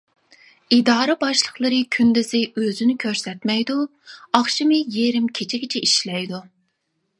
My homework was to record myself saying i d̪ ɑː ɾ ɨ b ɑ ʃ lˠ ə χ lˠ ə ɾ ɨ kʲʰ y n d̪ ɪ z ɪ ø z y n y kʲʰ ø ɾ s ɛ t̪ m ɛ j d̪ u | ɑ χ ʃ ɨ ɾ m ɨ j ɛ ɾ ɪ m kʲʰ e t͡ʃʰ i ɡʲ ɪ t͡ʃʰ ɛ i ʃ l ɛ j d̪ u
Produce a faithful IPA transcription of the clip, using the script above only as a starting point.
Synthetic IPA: i d̪ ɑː ɾ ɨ b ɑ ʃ lˠ ə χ lˠ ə ɾ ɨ kʲʰ y n d̪ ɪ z ɪ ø z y n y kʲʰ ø ɾ s ɛ t̪ m ɛ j d̪ u | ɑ χ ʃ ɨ m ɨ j e ɾ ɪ m kʲʰ e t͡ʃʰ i ɡʲ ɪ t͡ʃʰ ɛ i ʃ l ɛ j d̪ u